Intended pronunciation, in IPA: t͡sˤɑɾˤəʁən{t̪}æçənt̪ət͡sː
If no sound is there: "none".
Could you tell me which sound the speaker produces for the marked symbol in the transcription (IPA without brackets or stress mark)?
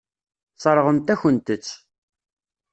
t̪